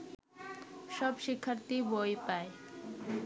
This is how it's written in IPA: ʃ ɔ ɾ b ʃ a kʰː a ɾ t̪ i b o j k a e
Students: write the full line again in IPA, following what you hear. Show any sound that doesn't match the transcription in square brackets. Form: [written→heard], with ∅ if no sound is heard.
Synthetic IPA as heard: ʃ ɔ [ɾ→∅] b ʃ [a→i] kʰː a ɾ t̪ i b o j [k→p] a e